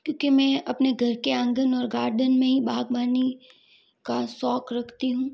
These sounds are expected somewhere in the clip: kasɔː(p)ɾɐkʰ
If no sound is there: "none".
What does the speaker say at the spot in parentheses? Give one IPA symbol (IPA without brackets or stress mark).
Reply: k